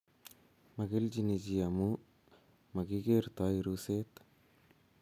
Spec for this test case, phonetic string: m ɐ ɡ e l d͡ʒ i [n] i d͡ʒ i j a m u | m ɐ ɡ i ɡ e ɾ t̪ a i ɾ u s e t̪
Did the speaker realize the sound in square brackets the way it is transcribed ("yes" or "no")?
yes